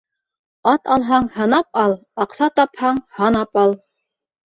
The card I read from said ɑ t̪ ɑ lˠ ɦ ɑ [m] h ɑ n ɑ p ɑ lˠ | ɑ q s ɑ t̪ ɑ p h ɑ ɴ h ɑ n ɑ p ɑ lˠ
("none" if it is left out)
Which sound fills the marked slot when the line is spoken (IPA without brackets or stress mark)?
ɴ